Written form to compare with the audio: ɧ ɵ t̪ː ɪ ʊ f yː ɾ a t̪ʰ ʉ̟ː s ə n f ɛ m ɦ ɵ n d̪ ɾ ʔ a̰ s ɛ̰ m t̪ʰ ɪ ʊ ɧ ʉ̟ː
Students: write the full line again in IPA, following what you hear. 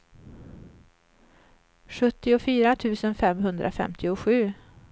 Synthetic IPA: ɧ ɵ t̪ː ɪ ʊ f yː ɾ a t̪ʰ ʉ̟ː s ə n f ɛ m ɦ ɵ n d̪ ɾ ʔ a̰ f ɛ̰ m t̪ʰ ɪ ʊ ɧ ʉ̟ː